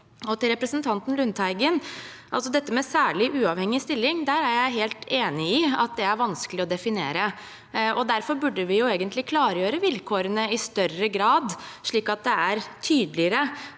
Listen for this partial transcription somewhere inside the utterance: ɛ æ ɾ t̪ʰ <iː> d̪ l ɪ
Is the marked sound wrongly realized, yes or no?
yes